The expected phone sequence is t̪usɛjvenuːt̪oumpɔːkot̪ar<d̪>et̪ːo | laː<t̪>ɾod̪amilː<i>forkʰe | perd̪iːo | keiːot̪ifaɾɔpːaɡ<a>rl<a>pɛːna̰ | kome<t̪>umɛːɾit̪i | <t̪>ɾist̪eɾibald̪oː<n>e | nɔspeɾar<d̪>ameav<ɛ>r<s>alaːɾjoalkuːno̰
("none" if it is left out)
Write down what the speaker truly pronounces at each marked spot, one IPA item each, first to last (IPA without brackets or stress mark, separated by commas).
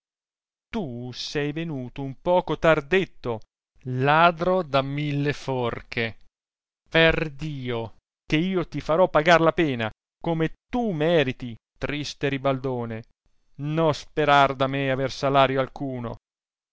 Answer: d̪, d̪, e, a, a, t̪, t̪, n, d̪, e, s